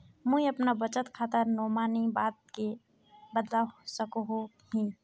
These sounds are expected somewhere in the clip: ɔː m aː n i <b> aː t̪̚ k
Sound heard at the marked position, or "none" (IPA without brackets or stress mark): b